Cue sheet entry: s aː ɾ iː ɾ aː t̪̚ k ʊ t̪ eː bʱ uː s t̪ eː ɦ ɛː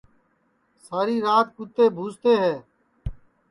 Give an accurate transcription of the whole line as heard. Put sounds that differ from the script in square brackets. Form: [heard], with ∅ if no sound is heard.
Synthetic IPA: s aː ɾ iː ɾ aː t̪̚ k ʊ t̪ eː bʱ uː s t̪ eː ɦ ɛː